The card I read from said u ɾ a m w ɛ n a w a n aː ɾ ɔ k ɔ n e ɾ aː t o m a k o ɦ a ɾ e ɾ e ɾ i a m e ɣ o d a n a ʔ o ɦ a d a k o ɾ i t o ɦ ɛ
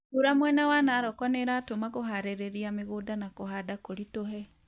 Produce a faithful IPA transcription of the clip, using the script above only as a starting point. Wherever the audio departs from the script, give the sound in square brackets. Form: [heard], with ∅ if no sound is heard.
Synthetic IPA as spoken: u ɾ a m w ɛ n a w a n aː ɾ ɔ k ɔ n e ɾ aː t o m a k o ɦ a ɾ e ɾ e ɾ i a m e ɣ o d a n a [k] o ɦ a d a k o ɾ i t o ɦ ɛ